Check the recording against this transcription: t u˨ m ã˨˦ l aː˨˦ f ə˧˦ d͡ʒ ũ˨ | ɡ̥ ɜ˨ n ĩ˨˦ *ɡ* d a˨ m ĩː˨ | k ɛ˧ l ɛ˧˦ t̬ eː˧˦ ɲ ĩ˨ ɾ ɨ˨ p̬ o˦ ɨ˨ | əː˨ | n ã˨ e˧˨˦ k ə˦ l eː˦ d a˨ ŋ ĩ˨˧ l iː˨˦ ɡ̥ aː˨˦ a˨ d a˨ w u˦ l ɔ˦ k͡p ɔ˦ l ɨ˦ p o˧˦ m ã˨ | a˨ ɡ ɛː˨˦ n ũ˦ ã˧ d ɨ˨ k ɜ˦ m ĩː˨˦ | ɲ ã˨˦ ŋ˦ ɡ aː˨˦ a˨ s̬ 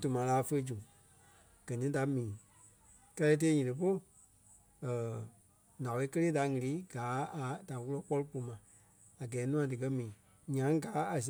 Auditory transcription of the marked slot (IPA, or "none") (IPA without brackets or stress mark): none